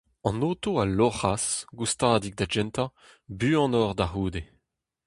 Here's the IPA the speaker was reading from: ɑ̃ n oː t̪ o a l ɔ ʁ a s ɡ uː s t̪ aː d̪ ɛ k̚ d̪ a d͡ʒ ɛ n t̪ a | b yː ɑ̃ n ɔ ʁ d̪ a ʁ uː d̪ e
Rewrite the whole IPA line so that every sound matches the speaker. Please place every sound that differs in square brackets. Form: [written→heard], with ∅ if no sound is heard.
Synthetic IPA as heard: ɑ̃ n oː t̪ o a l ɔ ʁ a s ɡ [uː→u] s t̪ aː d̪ [ɛ→i] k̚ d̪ a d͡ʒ ɛ n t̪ a | b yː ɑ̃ n ɔ ʁ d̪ a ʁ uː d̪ e

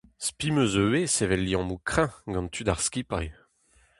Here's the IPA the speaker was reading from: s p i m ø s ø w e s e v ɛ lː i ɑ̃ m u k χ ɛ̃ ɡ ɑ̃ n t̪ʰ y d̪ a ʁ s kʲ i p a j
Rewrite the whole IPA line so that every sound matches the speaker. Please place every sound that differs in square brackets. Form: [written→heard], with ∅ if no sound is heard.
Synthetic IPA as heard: s p i m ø [s→z] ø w e s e v ɛ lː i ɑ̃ m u k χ ɛ̃ ɡ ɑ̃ n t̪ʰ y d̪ a ʁ s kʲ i p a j

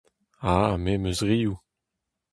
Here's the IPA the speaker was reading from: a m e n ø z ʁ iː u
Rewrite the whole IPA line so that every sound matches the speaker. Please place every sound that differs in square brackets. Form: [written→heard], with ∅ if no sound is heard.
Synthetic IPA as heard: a m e [n→m] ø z ʁ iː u

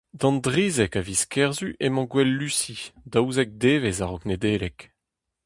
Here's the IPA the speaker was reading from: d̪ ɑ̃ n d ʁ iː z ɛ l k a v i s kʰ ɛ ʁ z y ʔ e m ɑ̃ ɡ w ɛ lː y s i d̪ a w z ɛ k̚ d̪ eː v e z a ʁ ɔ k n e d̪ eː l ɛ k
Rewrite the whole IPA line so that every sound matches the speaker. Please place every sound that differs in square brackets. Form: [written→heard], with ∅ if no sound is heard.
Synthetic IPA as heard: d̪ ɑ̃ n d ʁ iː z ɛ [l→∅] k a v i s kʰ ɛ ʁ z y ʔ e m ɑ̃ ɡ w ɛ lː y s i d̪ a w z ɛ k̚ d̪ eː v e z a ʁ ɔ k n e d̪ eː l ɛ k

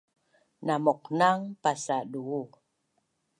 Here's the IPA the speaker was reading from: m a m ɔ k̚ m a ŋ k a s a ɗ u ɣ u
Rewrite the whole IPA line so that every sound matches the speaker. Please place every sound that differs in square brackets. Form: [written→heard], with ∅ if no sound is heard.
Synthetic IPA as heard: [m→n] a m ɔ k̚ [m→n] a ŋ [k→p] a s a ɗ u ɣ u

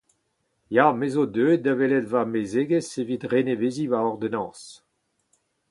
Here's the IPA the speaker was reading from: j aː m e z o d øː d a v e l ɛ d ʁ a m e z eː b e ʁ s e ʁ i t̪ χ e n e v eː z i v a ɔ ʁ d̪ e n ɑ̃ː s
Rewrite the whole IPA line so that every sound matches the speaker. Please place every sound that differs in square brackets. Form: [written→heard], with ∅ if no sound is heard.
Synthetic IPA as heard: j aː m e z o d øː d a v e l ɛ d [ʁ→v] a m e z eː [b→ɡ] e [ʁ→∅] s e [ʁ→v] i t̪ [χ→ʁ] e n e v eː z i v a ɔ ʁ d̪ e n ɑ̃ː s

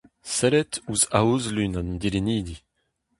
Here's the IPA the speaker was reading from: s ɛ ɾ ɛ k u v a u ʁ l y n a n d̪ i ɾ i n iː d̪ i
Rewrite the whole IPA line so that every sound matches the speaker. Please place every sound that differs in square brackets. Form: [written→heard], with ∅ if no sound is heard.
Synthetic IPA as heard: s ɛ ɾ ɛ [k→t] u [v→z] a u [ʁ→z] l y n a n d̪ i ɾ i n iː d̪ i

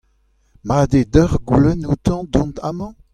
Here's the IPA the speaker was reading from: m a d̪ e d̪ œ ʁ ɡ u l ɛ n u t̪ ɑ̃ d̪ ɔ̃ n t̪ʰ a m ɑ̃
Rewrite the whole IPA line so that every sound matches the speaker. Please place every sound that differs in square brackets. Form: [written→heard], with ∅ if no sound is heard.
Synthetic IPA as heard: m a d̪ e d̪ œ ʁ ɡ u l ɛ n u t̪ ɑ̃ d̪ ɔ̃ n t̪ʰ a m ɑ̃

